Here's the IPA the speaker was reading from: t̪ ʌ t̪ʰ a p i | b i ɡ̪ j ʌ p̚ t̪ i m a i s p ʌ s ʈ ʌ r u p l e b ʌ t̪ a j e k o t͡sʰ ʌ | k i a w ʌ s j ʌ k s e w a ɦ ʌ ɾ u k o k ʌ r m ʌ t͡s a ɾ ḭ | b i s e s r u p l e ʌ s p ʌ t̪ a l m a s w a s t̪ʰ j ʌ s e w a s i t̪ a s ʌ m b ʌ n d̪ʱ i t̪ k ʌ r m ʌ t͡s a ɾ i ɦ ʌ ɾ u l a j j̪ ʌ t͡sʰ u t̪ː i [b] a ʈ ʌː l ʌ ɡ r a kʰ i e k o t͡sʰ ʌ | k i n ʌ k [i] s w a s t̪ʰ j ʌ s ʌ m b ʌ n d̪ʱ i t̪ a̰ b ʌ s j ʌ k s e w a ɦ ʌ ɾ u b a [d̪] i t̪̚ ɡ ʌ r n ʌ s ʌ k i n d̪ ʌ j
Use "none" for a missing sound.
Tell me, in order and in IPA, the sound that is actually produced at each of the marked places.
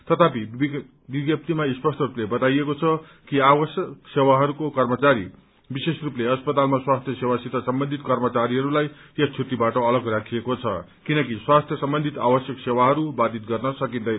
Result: b, i, d̪

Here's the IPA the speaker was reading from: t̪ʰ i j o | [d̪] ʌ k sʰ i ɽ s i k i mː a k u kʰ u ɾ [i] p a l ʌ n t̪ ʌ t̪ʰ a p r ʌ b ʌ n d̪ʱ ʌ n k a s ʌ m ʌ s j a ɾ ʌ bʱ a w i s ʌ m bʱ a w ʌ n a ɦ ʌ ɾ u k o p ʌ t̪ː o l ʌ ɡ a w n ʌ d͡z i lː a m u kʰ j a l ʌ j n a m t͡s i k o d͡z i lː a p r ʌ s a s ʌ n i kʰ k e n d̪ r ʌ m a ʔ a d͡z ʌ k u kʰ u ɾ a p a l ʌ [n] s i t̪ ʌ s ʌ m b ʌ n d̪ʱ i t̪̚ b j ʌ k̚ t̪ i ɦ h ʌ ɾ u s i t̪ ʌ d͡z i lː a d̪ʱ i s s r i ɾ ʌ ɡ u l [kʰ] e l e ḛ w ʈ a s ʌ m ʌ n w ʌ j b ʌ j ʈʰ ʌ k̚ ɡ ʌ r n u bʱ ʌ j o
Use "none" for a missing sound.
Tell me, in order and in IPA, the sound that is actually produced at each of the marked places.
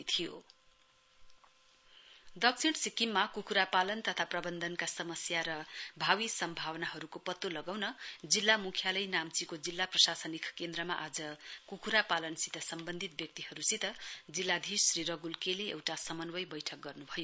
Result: d̪, a, n, k

